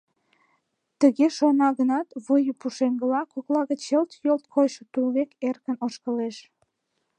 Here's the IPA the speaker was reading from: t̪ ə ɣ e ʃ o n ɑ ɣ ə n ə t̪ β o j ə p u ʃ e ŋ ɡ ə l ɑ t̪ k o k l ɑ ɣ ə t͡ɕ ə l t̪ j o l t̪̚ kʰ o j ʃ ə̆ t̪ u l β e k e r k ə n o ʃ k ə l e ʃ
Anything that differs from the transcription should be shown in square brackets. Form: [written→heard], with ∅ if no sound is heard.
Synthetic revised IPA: t̪ ə ɣ e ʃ o n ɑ ɣ ə n [ə→ɑ] t̪ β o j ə p u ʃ e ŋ ɡ ə l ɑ [t̪→∅] k o k l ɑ ɣ ə t͡ɕ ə l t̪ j o l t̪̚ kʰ o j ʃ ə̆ t̪ u l β e k e r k ə n o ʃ k ə l e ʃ